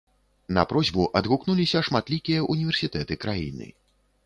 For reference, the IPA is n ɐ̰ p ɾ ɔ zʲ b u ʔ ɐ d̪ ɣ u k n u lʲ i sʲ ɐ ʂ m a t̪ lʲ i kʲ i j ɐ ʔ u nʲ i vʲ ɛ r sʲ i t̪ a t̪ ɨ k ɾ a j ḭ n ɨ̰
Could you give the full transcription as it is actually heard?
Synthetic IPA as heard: n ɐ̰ p ɾ ɔ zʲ b u ʔ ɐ d̪ ɣ u k n u lʲ i sʲ ɐ ʂ m a t̪ lʲ i kʲ i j ɐ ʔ u nʲ i vʲ ɛ r sʲ i t̪ ɛ t̪ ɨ k ɾ a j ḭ n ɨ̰